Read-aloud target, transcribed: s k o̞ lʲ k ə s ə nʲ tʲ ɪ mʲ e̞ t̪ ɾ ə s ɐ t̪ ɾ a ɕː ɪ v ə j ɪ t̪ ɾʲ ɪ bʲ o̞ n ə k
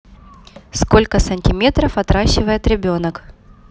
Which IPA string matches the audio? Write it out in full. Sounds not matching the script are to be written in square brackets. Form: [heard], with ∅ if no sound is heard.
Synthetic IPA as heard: s k o̞ lʲ k ə s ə nʲ tʲ ɪ mʲ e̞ t̪ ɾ ə [f] ɐ t̪ ɾ a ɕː ɪ v ə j ɪ t̪ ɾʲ ɪ bʲ o̞ n ə k